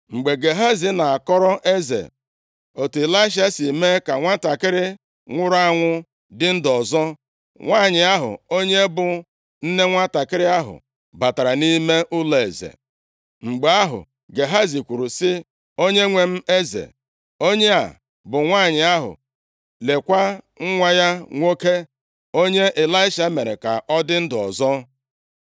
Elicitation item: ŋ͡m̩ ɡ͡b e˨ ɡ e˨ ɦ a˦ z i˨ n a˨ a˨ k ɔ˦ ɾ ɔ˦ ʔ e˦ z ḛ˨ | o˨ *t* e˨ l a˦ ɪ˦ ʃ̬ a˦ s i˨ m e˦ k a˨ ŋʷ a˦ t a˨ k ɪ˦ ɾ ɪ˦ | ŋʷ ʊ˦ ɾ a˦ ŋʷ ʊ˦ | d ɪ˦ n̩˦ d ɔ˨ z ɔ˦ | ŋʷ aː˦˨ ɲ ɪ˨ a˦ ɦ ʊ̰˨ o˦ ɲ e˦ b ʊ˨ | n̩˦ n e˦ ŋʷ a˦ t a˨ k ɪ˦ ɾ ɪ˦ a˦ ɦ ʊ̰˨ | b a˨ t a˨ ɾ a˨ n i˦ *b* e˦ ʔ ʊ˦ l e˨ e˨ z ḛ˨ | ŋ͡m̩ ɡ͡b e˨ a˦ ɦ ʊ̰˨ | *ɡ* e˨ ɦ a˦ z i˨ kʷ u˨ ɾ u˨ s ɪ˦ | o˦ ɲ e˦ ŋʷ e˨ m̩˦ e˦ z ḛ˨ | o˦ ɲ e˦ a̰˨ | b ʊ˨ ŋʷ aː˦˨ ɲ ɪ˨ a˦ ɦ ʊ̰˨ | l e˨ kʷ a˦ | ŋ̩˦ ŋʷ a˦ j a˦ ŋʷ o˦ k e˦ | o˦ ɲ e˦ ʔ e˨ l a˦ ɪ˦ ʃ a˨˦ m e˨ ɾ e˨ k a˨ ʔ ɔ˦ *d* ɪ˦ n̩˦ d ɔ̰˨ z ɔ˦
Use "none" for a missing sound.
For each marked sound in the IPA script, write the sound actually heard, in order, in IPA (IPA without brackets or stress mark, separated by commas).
t, m, ɡ, d